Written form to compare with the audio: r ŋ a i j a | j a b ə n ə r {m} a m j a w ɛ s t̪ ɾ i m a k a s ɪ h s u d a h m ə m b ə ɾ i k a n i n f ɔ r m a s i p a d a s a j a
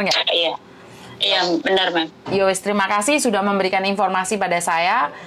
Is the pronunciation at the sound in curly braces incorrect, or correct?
correct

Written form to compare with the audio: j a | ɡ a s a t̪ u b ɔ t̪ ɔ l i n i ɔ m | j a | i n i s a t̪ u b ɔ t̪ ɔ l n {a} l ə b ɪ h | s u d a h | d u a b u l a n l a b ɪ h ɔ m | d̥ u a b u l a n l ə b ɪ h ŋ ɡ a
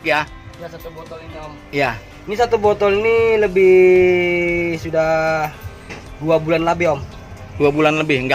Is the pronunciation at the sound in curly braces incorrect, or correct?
incorrect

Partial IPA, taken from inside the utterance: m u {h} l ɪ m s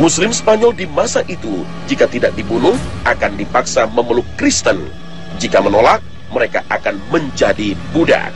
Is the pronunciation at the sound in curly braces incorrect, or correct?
incorrect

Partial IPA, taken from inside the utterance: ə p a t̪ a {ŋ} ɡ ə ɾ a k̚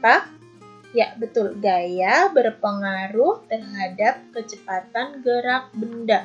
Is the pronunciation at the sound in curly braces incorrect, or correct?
incorrect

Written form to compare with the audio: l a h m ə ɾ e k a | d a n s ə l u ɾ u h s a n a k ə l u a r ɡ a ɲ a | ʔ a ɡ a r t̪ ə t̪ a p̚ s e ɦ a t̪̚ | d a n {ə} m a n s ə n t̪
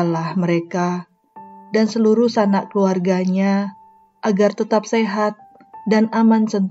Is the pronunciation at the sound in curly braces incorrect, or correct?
incorrect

